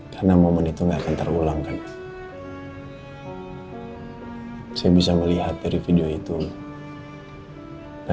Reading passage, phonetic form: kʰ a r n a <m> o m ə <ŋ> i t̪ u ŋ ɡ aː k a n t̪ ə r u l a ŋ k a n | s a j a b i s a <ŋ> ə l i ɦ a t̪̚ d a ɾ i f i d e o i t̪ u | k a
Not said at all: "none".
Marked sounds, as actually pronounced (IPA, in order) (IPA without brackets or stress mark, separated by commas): m, n, m